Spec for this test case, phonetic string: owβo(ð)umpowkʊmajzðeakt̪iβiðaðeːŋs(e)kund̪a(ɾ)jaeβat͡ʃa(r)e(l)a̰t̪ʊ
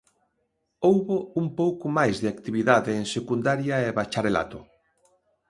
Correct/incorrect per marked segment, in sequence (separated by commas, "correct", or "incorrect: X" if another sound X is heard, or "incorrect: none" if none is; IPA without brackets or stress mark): incorrect: none, correct, correct, incorrect: ɾ, correct